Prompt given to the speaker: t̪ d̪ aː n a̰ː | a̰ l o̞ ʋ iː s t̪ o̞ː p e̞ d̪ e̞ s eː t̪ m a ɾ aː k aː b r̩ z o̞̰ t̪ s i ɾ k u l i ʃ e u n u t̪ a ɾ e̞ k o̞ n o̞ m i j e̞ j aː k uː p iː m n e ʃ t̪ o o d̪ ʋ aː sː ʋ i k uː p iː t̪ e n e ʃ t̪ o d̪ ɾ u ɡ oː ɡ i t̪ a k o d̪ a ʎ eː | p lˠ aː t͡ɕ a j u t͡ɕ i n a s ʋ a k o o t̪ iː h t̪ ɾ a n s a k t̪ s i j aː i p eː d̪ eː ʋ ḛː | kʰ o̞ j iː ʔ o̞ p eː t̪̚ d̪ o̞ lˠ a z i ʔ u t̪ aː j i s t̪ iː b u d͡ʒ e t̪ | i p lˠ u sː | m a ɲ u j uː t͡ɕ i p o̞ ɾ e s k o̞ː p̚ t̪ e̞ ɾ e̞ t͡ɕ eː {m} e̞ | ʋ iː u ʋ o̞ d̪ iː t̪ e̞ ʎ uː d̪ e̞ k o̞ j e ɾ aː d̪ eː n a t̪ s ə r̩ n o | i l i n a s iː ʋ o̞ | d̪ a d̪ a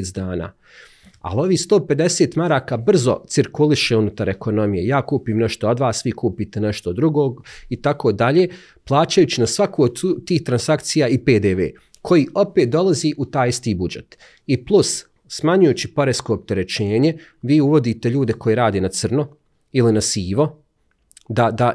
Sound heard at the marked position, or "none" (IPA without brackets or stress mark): ɲ